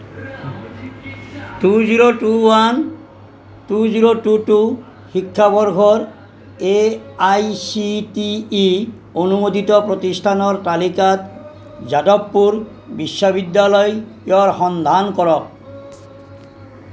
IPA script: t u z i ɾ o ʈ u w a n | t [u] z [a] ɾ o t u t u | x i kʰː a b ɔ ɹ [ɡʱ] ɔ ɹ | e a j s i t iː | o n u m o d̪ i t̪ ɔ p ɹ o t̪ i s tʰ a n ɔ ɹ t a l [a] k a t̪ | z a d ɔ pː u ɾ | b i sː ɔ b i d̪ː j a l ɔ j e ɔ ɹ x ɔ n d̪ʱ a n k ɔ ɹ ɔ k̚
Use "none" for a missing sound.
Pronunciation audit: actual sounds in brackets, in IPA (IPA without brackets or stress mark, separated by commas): u, i, ɡʱ, i